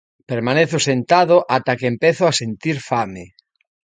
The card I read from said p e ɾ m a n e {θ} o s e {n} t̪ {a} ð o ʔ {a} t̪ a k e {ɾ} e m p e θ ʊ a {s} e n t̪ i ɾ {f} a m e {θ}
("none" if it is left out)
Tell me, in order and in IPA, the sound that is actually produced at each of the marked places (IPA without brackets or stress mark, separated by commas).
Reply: θ, n, a, a, none, s, f, none